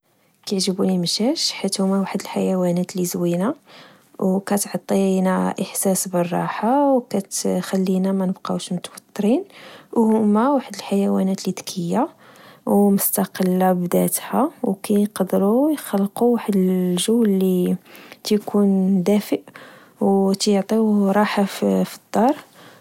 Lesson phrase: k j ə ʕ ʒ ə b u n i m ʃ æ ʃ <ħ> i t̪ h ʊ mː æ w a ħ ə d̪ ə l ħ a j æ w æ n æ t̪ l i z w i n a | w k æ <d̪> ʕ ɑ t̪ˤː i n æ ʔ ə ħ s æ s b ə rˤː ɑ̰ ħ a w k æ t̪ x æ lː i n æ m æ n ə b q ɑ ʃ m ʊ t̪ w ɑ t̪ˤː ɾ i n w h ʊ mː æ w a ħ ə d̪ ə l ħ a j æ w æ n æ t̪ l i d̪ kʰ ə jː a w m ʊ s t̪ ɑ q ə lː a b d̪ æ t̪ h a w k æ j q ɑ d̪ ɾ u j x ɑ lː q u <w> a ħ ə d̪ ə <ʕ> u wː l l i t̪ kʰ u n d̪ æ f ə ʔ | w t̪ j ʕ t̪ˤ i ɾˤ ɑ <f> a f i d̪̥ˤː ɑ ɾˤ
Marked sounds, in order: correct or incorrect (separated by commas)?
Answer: correct, incorrect, correct, incorrect, incorrect